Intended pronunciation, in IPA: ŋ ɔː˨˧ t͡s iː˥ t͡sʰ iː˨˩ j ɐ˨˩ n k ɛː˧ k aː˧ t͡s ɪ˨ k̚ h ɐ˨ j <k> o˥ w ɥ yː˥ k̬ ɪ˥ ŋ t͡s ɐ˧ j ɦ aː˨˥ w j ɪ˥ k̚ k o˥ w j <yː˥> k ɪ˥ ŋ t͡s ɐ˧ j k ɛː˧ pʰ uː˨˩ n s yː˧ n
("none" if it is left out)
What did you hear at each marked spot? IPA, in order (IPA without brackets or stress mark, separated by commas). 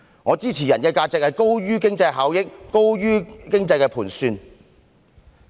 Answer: k, yː˥